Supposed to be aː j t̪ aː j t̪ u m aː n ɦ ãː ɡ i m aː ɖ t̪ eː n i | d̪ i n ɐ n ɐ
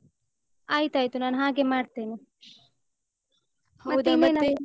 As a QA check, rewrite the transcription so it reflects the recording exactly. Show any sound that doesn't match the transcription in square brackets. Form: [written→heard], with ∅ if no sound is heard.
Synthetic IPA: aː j t̪ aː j t̪ u [m→n] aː n ɦ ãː ɡ [i→e] m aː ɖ t̪ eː n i | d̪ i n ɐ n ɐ